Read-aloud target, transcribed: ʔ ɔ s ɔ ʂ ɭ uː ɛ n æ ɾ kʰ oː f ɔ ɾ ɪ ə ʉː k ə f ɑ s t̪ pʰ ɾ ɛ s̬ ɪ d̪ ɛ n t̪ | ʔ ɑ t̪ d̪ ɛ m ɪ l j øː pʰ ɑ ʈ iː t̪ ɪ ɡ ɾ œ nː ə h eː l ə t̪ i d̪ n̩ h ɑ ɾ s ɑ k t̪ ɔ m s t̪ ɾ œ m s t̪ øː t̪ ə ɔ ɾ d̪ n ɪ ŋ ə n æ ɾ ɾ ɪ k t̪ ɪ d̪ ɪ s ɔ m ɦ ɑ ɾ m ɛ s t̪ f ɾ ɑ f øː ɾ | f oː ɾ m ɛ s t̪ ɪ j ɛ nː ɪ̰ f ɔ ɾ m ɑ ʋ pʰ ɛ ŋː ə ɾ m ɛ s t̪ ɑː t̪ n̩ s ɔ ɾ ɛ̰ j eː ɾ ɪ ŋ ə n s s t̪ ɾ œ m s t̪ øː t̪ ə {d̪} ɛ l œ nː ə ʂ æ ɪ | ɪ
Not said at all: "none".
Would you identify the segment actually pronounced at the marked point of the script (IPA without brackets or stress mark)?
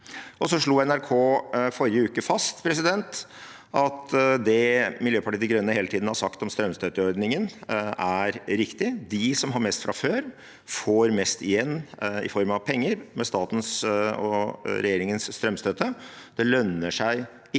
d̪